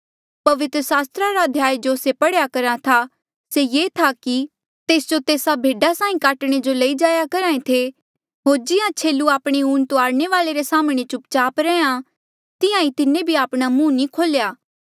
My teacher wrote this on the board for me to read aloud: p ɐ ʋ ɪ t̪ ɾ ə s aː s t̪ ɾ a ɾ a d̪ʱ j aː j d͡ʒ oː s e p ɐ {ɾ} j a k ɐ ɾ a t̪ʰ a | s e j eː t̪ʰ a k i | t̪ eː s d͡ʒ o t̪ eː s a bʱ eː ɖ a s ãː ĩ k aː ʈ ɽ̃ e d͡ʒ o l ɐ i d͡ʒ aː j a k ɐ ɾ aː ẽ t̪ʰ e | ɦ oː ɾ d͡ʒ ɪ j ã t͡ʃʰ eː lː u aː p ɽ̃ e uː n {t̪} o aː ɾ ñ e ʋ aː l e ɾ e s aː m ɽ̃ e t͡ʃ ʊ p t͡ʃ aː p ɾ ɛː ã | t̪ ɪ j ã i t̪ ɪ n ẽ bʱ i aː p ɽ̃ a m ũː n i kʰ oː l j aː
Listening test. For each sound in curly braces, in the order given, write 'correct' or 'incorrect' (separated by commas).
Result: incorrect, correct